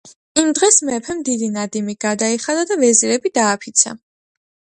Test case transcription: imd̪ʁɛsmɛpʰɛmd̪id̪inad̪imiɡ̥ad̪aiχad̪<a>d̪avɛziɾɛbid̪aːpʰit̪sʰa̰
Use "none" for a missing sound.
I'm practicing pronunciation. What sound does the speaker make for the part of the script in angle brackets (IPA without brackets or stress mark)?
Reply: a